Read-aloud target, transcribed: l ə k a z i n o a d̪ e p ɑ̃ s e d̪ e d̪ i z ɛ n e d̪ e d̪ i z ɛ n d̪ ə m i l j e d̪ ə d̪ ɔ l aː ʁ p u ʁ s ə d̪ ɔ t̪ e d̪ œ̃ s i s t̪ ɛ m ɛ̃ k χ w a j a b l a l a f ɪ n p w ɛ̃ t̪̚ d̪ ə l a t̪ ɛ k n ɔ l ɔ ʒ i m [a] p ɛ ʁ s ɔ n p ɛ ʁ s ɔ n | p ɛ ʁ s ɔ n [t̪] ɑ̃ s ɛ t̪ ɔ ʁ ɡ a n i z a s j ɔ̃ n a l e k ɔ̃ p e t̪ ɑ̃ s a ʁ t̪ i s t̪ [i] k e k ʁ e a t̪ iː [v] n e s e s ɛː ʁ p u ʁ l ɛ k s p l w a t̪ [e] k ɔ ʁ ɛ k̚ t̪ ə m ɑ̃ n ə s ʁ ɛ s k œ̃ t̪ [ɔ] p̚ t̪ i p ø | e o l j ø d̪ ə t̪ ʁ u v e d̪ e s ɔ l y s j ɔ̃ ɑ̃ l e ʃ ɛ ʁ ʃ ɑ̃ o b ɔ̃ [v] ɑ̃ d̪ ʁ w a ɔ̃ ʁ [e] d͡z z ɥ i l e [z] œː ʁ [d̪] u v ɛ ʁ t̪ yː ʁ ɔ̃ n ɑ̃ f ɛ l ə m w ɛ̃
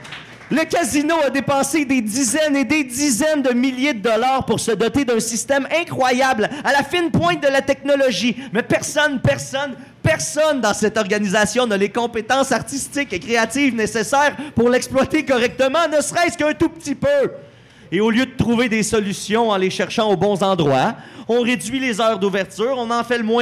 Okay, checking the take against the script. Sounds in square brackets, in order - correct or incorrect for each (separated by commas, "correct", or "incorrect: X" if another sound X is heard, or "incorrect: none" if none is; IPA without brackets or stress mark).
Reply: incorrect: ɛ, incorrect: d̪, incorrect: ɪ, correct, correct, incorrect: u, incorrect: z, correct, correct, correct